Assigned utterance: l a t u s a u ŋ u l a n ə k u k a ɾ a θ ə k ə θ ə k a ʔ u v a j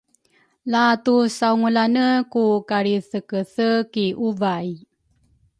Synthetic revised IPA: l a t u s a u ŋ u l a n ə k u k a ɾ i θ ə k ə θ ə k i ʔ u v a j